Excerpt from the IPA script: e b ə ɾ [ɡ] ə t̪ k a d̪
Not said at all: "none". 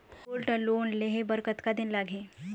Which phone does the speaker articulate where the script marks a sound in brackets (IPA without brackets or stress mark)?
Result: k